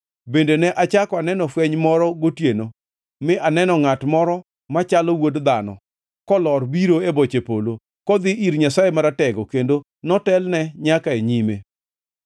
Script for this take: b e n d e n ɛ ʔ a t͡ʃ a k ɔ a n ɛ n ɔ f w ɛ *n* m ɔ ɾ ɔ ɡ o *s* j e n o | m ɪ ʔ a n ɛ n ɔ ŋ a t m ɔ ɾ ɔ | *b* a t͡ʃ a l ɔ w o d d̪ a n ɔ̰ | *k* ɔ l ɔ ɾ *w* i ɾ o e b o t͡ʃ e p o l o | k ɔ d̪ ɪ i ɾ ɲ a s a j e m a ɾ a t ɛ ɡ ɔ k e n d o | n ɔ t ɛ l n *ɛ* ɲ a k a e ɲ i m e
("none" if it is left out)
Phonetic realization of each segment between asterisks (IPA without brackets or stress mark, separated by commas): ɲ, t, m, k, b, ɛ